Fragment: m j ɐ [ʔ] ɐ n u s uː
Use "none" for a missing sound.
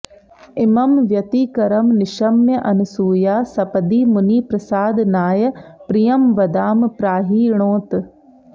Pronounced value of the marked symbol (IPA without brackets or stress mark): ʔ